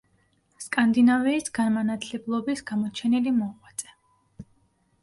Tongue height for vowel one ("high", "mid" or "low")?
low